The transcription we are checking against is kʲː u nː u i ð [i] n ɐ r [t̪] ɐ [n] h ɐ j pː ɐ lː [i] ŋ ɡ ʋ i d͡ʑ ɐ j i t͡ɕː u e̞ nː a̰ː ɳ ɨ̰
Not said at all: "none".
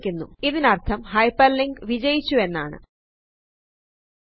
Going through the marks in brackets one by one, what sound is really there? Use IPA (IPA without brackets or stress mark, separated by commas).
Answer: i, t̪ʰ, m, i